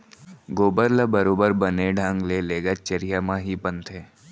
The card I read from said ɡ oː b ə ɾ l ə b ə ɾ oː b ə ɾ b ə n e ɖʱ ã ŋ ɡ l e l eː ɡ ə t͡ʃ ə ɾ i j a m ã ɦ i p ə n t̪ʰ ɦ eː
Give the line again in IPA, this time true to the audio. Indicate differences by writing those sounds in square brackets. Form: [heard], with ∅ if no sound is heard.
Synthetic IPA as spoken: ɡ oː b ə ɾ l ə b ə ɾ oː b ə ɾ b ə n e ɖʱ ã ŋ ɡ l e l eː ɡ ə t͡ʃ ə ɾ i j a m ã ɦ i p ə n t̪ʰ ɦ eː

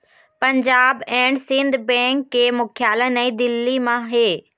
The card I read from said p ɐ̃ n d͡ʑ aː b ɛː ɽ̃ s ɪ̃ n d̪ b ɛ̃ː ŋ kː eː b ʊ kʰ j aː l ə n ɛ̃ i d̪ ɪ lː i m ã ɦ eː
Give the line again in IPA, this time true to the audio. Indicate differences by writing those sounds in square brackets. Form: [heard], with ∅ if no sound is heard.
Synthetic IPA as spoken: p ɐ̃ [ɲ] d͡ʑ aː b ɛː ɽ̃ s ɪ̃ n d̪ b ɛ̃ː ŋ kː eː [m] ʊ kʰ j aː l ə n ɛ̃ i d̪ ɪ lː i m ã ɦ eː

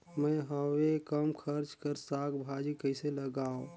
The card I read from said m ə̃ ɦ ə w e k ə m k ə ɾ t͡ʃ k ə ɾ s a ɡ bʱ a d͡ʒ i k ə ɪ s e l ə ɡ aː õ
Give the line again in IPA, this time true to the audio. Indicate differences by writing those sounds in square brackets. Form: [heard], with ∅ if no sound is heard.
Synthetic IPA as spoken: m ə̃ ɦ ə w e k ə m [kʰ] ə ɾ t͡ʃ k ə ɾ s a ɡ bʱ a d͡ʒ i k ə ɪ s e l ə ɡ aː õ

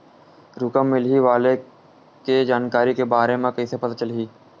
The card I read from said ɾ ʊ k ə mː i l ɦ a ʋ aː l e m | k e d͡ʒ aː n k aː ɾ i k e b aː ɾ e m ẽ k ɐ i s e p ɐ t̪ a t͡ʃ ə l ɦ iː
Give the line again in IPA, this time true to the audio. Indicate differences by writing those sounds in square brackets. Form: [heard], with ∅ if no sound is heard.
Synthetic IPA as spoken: ɾ ʊ k ə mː [ɪ] l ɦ [i] ʋ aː l e [∅] | k e d͡ʒ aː n k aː ɾ i k e b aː ɾ e m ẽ k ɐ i s e p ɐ t̪ a t͡ʃ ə l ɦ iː

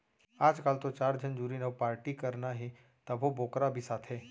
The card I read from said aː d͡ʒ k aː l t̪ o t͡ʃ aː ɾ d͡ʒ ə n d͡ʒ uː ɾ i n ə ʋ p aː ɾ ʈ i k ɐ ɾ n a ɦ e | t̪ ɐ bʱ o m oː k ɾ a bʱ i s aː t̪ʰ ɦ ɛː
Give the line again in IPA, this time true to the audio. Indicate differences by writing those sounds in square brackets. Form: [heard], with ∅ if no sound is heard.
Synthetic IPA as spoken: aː d͡ʒ k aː l t̪ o t͡ʃ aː ɾ d͡ʒ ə n d͡ʒ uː ɾ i n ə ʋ p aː ɾ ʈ i k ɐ ɾ n a ɦ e | t̪ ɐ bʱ o [b] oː k ɾ a bʱ i s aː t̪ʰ ɦ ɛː

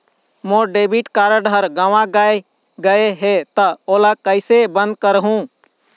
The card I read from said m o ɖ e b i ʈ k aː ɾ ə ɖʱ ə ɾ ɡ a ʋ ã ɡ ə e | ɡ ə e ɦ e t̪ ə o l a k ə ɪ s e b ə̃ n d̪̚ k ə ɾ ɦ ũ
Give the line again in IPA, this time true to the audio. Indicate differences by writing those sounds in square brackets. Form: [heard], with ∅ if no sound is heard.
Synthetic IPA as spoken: m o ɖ e b i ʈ k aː ɾ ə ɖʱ ə ɾ ɡ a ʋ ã ɡ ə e | ɡ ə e ɦ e t̪ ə o l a k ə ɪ s e b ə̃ n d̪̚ k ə ɾ ɦ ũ

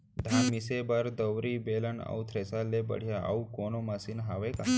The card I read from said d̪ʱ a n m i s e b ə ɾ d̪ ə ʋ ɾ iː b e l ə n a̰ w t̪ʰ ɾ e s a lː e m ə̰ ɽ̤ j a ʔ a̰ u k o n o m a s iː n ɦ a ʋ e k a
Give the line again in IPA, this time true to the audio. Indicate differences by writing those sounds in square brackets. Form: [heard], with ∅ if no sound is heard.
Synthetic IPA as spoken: d̪ʱ a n m i s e b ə ɾ d̪ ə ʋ ɾ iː b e l ə n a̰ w t̪ʰ ɾ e s a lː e [b] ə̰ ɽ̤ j a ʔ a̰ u k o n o m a s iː n ɦ a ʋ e k a

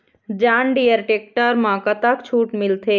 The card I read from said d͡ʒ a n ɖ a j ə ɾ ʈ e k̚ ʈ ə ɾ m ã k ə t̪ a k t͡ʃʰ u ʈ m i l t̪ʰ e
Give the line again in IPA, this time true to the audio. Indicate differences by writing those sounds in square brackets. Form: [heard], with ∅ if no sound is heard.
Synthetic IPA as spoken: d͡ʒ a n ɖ [i] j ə ɾ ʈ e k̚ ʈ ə ɾ m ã k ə t̪ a k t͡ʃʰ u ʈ m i l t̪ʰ e

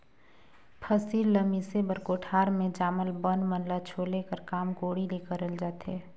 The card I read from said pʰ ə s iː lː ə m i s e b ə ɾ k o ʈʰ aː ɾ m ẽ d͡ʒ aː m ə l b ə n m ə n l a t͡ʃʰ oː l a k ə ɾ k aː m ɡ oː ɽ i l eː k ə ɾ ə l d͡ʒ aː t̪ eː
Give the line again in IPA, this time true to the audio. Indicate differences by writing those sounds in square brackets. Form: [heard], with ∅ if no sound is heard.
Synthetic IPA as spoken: pʰ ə s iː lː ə m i s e b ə ɾ k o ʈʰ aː ɾ m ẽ d͡ʒ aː m ə l b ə n m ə n l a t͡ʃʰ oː l [e] k ə ɾ k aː m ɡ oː ɽ i l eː k ə ɾ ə l d͡ʒ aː t̪ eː

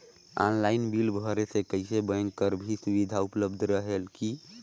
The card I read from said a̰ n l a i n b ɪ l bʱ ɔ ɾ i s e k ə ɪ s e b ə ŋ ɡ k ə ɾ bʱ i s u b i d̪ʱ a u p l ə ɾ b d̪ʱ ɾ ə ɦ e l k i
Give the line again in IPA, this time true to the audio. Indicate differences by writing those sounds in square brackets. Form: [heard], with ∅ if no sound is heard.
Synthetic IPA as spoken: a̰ n l a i n b [i] l bʱ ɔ ɾ [e] s e k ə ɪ s e b ə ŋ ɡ k ə ɾ bʱ i s u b i d̪ʱ a u p l ə [∅] b d̪ʱ ɾ ə ɦ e l k i

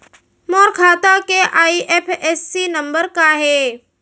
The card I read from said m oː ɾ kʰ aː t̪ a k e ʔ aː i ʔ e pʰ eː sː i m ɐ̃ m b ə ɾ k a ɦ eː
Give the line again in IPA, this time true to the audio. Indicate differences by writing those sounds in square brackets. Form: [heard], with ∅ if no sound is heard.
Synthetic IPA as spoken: m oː ɾ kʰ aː t̪ a k e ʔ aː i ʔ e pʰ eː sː i [n] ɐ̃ m b ə ɾ k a ɦ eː

